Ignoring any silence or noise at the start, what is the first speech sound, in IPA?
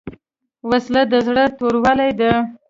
w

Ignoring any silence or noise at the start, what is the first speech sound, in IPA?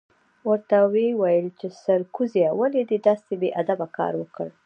w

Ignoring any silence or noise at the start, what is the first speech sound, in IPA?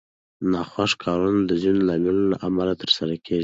n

